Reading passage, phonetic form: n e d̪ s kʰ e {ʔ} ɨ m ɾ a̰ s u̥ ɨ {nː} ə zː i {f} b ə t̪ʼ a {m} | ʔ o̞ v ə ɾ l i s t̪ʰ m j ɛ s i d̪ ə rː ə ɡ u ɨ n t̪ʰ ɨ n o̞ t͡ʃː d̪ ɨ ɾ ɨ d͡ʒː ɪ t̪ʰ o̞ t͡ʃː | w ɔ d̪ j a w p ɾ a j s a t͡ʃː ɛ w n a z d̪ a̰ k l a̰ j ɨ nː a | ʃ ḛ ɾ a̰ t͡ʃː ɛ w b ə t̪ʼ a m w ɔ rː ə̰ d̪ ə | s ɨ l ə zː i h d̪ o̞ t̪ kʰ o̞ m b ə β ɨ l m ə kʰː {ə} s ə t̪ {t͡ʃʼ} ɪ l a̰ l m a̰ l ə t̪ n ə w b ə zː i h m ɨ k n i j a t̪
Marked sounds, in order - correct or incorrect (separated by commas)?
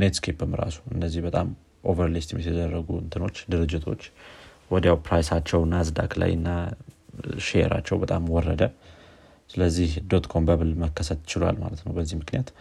incorrect, correct, incorrect, correct, correct, incorrect